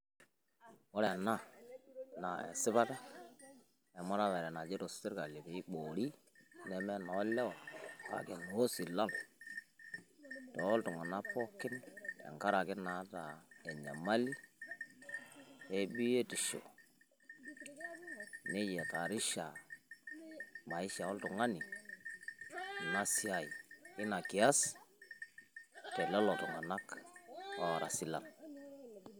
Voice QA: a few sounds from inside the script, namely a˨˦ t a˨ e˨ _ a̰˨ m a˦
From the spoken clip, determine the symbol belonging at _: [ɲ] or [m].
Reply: ɲ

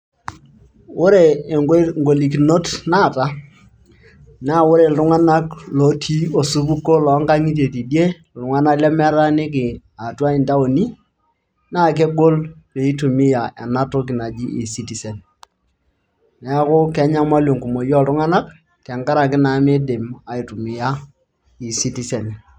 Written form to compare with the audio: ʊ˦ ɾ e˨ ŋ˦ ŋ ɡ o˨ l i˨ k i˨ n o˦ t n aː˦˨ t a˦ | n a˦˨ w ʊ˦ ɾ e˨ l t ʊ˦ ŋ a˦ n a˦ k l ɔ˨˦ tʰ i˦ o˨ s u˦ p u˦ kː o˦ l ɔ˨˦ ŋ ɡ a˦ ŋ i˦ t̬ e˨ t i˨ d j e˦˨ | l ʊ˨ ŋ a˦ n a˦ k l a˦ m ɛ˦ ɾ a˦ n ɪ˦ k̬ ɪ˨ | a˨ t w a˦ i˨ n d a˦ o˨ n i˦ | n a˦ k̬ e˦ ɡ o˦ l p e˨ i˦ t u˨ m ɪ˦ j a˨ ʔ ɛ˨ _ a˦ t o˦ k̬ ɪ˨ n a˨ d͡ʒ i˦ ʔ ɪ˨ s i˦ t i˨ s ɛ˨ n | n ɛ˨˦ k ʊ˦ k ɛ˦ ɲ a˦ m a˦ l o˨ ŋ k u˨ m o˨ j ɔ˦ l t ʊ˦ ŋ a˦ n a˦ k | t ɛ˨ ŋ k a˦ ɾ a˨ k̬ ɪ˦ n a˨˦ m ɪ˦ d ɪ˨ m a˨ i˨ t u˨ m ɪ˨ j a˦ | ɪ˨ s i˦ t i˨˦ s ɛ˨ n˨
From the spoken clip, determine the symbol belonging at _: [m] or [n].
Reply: n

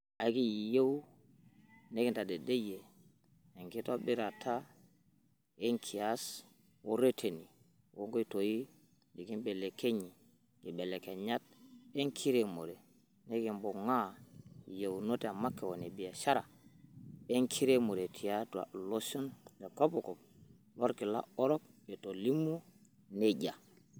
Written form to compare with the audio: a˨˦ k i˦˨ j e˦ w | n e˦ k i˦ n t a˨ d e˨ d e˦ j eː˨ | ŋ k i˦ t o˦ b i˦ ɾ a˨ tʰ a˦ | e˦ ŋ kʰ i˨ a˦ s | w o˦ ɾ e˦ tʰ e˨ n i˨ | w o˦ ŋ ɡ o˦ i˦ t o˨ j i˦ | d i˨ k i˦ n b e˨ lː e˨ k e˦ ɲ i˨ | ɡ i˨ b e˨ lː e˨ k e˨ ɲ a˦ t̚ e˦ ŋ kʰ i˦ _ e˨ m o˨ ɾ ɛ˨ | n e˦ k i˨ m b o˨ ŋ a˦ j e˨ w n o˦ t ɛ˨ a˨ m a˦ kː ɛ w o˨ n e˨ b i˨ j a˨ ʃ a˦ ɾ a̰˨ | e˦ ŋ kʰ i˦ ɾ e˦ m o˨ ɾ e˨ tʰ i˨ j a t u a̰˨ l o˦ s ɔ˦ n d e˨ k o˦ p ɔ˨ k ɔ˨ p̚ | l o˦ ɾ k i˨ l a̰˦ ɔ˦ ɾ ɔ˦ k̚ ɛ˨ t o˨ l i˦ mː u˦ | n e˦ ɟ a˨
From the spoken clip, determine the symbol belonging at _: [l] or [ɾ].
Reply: ɾ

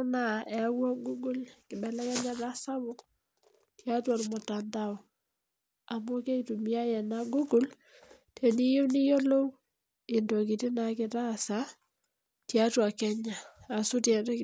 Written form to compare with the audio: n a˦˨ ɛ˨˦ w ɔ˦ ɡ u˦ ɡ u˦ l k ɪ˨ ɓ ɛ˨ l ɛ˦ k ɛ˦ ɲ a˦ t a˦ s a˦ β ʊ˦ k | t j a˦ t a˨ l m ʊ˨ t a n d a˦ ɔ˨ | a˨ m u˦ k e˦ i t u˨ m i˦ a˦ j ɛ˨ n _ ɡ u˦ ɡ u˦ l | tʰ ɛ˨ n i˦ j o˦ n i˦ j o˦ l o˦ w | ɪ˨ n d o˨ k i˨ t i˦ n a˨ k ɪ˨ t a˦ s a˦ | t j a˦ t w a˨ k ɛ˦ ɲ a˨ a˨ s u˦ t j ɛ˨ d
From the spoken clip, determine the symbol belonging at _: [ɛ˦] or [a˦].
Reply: a˦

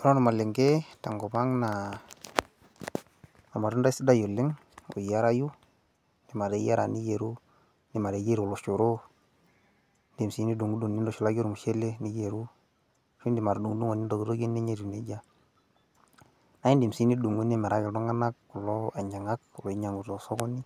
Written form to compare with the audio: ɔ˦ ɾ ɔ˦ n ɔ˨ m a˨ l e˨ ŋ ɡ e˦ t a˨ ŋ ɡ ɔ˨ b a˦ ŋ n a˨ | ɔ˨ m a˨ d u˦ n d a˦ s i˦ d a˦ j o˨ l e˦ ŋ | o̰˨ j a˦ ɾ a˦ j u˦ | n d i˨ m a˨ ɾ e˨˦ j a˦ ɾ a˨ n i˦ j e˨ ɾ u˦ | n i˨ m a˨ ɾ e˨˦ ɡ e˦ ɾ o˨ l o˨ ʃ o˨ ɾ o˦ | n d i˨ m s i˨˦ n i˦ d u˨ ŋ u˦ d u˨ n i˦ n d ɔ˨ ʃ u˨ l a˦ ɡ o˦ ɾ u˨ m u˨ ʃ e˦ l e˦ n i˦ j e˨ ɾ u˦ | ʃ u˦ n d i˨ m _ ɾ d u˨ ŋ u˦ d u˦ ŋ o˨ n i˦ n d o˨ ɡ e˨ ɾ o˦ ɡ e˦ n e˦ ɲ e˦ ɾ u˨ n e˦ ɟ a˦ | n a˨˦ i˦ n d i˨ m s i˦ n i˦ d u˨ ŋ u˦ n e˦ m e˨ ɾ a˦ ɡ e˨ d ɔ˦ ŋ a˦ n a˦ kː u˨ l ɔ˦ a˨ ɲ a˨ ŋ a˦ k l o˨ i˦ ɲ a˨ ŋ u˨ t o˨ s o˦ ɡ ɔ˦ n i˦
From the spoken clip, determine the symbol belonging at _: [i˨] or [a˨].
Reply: a˨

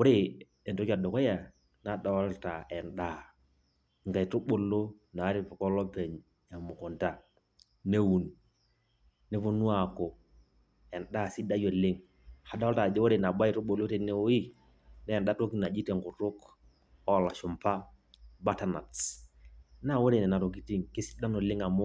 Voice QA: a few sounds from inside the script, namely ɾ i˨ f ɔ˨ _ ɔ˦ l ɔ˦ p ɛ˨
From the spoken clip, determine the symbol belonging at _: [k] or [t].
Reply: k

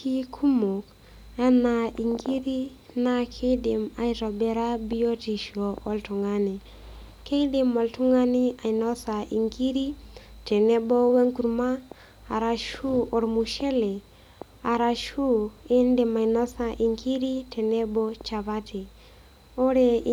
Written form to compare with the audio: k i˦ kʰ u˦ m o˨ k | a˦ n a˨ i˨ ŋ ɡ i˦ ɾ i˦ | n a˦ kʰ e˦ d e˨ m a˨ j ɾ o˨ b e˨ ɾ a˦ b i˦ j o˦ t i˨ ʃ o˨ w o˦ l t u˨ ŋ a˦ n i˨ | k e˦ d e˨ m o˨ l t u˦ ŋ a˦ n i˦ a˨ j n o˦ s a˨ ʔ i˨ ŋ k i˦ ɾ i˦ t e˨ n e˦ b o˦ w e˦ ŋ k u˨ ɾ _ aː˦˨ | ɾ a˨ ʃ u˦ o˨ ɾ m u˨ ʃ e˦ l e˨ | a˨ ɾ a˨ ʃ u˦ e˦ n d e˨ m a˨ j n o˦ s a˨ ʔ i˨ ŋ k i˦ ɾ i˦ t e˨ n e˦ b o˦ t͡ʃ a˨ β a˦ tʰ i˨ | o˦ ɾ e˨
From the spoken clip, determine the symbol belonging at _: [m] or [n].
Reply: m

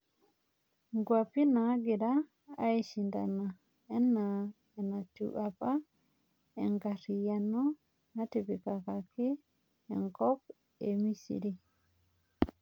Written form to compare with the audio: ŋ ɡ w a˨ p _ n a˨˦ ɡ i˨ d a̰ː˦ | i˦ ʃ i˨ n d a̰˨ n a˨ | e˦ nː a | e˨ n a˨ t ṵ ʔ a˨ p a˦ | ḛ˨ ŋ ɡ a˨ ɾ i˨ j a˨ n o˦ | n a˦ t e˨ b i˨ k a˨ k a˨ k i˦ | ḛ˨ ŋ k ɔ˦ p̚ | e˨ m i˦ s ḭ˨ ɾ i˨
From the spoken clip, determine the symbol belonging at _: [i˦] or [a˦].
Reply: i˦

